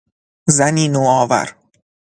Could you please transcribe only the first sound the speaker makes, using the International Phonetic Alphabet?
z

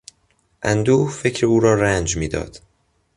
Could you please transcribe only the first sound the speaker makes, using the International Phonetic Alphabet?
ʔ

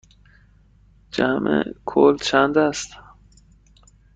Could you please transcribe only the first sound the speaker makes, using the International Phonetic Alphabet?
d͡ʒ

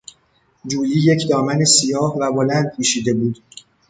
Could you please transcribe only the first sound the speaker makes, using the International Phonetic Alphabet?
d͡ʒ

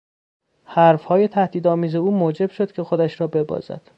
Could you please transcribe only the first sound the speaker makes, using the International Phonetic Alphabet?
h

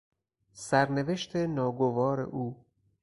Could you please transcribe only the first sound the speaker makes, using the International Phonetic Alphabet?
s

